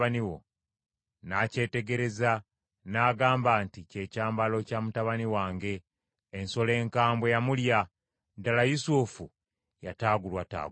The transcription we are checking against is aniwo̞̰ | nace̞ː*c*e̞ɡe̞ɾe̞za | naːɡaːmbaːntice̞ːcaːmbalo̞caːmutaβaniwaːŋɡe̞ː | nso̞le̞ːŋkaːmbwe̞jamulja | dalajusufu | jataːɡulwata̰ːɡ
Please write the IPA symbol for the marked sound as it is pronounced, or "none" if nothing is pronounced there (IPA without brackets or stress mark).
t